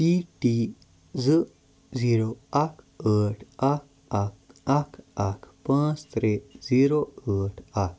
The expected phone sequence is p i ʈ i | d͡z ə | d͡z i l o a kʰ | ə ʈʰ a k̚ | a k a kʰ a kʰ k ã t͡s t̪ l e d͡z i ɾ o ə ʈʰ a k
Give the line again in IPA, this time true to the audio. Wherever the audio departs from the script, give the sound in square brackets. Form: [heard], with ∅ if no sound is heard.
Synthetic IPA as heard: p i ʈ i | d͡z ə | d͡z i [ɾ] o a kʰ | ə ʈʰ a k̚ | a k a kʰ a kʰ [p] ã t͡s t̪ [ɾ] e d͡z i ɾ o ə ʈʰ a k